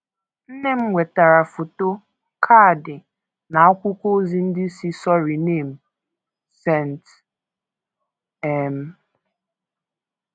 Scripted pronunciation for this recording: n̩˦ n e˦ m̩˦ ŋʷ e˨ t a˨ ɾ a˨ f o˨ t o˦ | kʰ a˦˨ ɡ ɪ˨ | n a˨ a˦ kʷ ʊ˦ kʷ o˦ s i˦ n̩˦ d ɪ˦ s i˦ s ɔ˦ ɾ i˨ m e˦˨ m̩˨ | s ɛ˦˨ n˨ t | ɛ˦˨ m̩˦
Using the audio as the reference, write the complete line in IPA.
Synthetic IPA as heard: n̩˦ n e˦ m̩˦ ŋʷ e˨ t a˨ ɾ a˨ f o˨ t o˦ | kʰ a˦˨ d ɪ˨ | n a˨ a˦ kʷ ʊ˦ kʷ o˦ z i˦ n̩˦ d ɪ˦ s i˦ s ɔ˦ ɾ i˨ n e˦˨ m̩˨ | s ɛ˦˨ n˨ t | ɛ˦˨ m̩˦